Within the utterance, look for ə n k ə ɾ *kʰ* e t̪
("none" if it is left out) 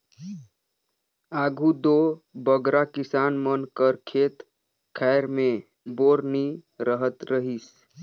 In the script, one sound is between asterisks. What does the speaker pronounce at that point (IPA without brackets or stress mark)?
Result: kʰ